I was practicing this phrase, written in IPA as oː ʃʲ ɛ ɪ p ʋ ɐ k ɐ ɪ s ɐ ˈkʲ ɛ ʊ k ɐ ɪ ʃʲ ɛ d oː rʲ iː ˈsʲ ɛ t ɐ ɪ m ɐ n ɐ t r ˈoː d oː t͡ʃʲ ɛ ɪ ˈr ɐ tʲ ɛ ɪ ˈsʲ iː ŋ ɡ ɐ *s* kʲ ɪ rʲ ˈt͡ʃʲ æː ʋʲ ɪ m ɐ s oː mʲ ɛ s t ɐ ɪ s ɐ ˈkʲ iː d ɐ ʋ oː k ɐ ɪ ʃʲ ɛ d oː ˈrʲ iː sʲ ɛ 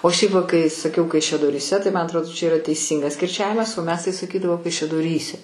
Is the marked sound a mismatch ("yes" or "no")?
no